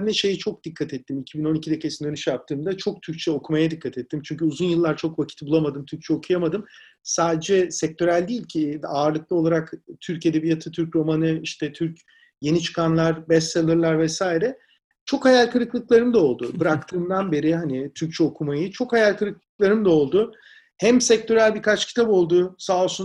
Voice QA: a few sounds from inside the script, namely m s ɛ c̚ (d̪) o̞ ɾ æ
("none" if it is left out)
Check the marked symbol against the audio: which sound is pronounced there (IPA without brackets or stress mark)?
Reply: t̪